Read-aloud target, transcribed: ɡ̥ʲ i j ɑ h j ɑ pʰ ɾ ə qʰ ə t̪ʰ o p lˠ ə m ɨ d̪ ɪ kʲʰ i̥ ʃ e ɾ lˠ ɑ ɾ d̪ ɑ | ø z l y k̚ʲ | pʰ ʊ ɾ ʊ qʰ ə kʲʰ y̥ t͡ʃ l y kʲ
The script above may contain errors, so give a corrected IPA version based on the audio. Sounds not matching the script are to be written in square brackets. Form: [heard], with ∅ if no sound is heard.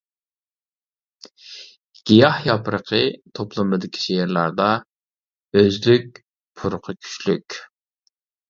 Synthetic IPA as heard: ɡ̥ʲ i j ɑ h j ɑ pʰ ɾ ə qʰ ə t̪ʰ o p lˠ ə m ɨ d̪ ɪ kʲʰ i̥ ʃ e ɾ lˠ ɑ ɾ d̪ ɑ | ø z l y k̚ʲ | pʰ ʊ ɾ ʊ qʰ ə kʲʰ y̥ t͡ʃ l y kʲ

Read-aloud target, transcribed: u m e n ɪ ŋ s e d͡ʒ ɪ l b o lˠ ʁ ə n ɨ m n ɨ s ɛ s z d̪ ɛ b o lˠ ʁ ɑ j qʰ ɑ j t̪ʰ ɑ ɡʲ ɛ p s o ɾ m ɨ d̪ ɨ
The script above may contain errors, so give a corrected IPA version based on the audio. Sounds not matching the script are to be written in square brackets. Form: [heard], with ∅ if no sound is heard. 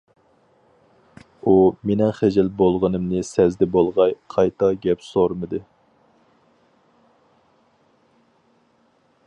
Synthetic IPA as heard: u m e n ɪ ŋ [χ] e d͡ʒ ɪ l b o lˠ ʁ ə n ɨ m n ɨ s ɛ [∅] z d̪ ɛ b o lˠ ʁ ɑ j qʰ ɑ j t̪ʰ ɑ ɡʲ ɛ p s o ɾ m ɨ d̪ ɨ

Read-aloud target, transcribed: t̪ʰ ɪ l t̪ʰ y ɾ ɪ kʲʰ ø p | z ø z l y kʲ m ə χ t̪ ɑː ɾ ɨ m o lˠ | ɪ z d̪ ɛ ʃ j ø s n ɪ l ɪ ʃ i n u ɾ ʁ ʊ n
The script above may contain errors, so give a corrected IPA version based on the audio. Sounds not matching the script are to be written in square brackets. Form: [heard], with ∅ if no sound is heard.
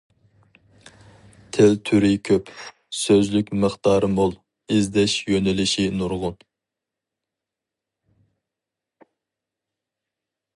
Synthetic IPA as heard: t̪ʰ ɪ l t̪ʰ y ɾ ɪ kʲʰ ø p | [s] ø z l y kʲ m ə χ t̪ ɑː ɾ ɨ m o lˠ | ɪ z d̪ ɛ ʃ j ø [∅] n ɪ l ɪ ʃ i n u ɾ ʁ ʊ n

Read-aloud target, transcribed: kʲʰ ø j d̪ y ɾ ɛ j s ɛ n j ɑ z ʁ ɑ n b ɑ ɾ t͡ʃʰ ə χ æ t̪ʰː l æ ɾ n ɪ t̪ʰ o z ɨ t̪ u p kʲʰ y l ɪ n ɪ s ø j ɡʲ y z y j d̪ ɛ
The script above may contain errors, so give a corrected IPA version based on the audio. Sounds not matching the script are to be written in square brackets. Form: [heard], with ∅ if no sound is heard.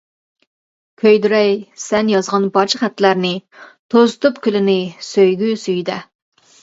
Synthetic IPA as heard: kʲʰ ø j d̪ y ɾ ɛ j s ɛ n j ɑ z ʁ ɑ n b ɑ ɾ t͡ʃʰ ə χ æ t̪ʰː l æ ɾ n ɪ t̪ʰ o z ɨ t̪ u p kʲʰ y l ɪ n ɪ s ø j ɡʲ y [s] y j d̪ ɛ

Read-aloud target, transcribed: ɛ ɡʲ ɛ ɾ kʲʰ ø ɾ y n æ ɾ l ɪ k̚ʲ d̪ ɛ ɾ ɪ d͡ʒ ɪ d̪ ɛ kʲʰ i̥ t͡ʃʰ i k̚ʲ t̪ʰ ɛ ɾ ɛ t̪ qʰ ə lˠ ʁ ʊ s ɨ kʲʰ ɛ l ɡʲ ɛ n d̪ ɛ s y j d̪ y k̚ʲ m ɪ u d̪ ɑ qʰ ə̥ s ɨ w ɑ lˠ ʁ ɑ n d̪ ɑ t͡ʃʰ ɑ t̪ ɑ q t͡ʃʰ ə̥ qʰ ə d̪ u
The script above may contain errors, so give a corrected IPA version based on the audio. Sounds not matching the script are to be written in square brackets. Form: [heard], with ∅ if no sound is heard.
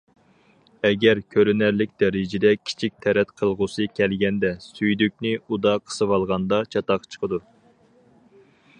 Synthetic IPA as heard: ɛ ɡʲ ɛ ɾ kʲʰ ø ɾ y n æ ɾ l ɪ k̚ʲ d̪ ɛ ɾ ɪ d͡ʒ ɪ d̪ ɛ kʲʰ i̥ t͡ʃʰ i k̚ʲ t̪ʰ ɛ ɾ ɛ t̪ qʰ ə lˠ ʁ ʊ s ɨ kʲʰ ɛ l ɡʲ ɛ n d̪ ɛ s y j d̪ y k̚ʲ [n] ɪ u d̪ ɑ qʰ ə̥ s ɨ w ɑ lˠ ʁ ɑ n d̪ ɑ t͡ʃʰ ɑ t̪ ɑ q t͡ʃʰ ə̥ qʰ ə d̪ u

